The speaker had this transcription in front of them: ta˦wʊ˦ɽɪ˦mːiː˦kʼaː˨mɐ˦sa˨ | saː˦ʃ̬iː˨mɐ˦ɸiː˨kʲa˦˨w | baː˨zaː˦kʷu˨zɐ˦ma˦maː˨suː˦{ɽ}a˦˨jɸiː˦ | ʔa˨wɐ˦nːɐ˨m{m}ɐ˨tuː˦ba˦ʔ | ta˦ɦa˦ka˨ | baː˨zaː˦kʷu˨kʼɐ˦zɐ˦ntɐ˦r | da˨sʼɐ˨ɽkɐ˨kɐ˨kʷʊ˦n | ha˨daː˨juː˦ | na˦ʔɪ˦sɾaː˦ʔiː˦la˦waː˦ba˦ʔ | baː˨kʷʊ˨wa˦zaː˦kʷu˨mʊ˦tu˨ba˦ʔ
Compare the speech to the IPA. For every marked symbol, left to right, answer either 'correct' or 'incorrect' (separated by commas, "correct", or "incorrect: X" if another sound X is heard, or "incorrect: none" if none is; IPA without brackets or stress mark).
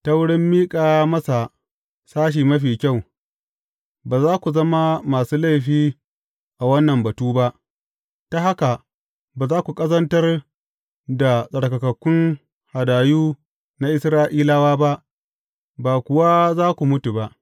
incorrect: l, incorrect: b